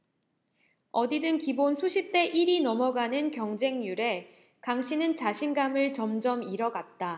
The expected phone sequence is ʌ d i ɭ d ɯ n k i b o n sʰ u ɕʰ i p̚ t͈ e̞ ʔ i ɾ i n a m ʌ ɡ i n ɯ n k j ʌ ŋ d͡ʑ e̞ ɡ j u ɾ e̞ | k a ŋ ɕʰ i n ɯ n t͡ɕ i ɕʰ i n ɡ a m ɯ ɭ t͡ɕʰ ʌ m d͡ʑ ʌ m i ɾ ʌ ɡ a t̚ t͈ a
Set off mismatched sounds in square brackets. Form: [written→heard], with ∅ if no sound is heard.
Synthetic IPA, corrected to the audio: ʌ d i [ɭ→∅] d ɯ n k i b o n sʰ u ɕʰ i p̚ t͈ e̞ ʔ i ɾ i n [a→ʌ] m ʌ ɡ [i→a] n ɯ n k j ʌ ŋ d͡ʑ e̞ [ɡ→ŋ] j u ɾ e̞ | k a ŋ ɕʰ i n ɯ n t͡ɕ [i→a] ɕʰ i n ɡ a m ɯ ɭ [t͡ɕʰ→t͡ɕ] ʌ m d͡ʑ ʌ m i ɾ ʌ ɡ a t̚ t͈ a